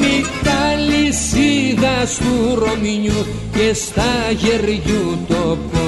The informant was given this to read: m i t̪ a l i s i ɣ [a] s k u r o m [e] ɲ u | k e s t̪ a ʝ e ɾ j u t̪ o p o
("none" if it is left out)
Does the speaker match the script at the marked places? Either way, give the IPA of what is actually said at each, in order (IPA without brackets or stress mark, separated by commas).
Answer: a, i